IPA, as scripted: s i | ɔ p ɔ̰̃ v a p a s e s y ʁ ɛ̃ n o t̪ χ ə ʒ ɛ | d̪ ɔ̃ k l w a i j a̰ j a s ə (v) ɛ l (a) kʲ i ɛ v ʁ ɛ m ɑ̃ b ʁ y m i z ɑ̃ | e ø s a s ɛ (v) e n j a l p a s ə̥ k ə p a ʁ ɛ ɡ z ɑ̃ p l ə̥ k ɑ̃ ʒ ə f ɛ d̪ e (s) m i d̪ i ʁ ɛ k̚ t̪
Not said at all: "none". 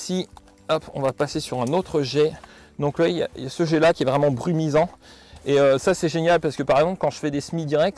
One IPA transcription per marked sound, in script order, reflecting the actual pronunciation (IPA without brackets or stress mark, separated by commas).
ʒ, a, ʒ, s